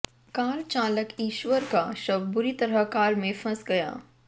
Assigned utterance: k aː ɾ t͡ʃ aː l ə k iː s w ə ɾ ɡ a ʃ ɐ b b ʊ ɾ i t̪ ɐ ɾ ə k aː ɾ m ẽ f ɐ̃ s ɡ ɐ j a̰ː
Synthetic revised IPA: k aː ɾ t͡ʃ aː l ə k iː ʃ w ə ɾ k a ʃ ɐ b b ʊ ɾ i t̪ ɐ ɾ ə k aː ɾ m ẽ f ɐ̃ s ɡ ɐ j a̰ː